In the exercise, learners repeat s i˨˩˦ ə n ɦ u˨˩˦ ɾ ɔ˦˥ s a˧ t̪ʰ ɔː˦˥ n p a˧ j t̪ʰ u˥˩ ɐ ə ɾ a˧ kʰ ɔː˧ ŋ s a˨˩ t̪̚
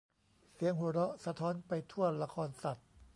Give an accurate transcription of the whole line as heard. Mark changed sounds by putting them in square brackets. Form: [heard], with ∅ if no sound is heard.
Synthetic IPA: s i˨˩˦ ə [ŋ] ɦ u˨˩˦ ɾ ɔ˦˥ s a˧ t̪ʰ ɔː˦˥ n p a˧ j t̪ʰ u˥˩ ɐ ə [l] a˧ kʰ ɔː˧ [n] s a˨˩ t̪̚